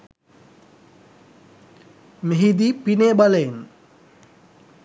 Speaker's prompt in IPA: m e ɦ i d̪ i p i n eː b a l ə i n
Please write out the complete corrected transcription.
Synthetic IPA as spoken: m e ɦ i d̪ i p i n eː b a l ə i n